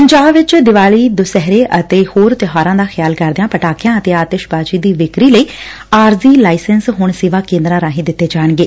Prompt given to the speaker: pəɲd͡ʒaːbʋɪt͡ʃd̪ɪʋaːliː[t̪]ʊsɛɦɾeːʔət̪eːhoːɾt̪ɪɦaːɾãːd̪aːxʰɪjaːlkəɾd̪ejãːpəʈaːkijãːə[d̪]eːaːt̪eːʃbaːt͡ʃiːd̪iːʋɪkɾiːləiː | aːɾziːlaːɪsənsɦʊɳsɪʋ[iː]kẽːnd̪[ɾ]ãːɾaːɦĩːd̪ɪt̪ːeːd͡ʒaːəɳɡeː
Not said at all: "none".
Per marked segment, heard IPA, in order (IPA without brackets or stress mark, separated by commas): d̪, t̪, aː, ɾ